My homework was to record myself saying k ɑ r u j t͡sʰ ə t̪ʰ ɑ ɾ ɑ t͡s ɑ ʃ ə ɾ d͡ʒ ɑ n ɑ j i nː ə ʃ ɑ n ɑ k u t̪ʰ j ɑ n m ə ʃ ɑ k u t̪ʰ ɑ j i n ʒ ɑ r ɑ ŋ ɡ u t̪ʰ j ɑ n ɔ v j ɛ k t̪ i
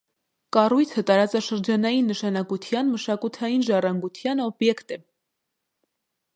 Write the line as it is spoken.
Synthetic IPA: k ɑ r u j t͡sʰ ə t̪ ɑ ɾ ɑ t͡s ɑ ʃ ə ɾ d͡ʒ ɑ n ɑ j i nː ə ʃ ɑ n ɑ k u t̪ʰ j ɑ n m ə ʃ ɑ k u t̪ʰ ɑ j i n ʒ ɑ r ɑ ŋ ɡ u t̪ʰ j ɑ n ɔ b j ɛ k t̪ ɛ